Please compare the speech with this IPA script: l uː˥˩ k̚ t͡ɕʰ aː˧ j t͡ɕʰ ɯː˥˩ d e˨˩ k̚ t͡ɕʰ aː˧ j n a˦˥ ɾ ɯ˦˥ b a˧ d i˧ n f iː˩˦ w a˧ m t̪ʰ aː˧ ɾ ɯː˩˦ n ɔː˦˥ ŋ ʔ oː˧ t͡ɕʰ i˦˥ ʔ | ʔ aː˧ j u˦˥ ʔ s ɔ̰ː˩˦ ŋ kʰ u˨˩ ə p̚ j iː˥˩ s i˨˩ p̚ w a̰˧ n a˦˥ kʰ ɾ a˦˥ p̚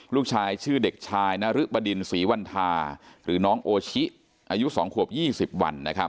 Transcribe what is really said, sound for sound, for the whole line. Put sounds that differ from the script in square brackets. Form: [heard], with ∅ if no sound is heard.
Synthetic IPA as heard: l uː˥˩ k̚ t͡ɕʰ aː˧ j t͡ɕʰ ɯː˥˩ d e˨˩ k̚ t͡ɕʰ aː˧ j n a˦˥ ɾ ɯ˦˥ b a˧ d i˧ n [s] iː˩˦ w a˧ [n] t̪ʰ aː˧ ɾ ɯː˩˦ n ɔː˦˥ ŋ ʔ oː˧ t͡ɕʰ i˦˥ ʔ | ʔ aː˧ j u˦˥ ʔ s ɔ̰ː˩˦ ŋ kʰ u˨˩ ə p̚ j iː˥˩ s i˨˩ p̚ w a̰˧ [nː] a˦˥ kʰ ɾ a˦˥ p̚